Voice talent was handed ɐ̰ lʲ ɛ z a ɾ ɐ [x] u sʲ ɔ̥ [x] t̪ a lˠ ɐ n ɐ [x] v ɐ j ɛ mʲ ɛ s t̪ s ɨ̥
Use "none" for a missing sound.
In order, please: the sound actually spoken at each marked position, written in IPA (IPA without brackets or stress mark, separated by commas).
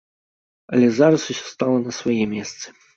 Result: s, s, s